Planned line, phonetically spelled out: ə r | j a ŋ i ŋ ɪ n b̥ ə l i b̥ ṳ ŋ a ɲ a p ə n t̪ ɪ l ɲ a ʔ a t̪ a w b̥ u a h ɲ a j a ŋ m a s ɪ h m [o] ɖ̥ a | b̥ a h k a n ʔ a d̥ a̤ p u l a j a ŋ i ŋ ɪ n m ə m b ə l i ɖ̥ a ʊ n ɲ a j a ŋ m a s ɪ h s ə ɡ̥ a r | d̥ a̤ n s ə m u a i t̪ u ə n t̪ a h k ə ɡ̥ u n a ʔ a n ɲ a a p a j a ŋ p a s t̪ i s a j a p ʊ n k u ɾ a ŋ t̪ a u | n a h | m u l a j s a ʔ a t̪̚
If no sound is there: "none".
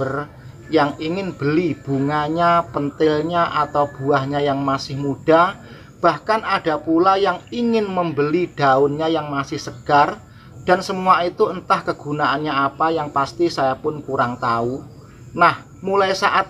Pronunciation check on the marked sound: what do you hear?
u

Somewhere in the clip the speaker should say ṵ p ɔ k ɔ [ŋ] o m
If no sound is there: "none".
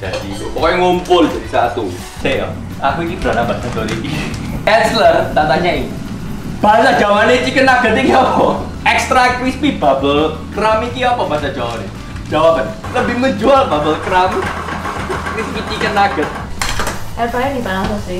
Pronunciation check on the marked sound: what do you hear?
ŋ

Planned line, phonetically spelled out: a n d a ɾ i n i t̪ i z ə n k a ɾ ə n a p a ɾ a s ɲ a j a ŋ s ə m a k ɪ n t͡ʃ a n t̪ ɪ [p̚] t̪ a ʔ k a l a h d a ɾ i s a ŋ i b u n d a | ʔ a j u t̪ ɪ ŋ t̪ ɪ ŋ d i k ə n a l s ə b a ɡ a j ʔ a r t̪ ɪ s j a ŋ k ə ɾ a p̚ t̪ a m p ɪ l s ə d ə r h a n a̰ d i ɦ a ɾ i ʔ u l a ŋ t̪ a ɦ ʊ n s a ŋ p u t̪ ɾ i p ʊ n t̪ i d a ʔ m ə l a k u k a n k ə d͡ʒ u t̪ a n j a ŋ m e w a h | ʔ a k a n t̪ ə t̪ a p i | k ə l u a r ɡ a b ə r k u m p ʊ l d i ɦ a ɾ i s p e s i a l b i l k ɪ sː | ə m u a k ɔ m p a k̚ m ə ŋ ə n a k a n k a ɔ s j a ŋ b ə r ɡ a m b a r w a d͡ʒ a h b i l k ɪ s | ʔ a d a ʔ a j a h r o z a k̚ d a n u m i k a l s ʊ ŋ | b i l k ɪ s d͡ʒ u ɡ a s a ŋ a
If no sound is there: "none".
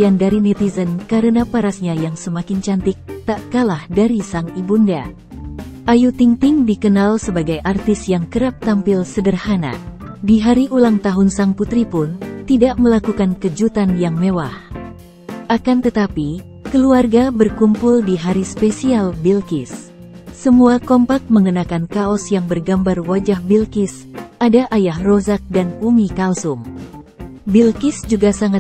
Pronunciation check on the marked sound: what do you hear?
k̚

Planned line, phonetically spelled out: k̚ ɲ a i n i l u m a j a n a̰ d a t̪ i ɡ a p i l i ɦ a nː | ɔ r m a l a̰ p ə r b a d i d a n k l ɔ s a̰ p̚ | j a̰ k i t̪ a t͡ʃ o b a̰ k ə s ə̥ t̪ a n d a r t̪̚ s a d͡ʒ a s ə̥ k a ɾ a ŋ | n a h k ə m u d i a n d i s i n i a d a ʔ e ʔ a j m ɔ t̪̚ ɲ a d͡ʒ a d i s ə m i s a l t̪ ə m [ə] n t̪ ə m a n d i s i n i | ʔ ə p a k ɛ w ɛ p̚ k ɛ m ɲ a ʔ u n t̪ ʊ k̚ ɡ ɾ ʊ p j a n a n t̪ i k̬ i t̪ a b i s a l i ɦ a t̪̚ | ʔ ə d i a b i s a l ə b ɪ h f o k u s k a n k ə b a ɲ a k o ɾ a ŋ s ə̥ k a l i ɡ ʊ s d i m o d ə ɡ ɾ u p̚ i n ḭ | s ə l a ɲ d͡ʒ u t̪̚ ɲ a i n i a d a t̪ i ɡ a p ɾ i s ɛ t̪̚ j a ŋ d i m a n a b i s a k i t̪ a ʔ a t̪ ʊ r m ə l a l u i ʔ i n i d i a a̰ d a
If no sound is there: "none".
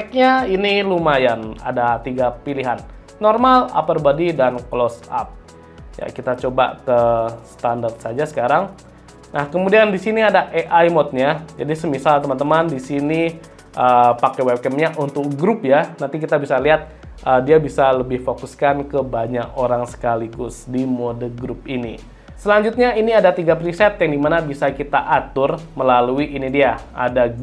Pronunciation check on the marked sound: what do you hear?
a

